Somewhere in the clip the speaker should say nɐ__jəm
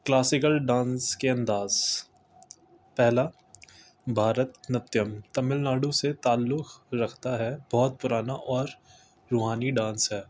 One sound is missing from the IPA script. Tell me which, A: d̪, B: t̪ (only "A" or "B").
B